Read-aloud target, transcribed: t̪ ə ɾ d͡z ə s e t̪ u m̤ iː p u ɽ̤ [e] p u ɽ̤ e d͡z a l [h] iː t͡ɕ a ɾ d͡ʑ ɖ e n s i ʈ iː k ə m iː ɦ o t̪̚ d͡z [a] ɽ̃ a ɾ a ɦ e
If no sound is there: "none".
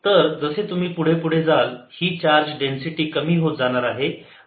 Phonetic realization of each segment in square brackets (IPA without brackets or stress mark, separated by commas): e, h, a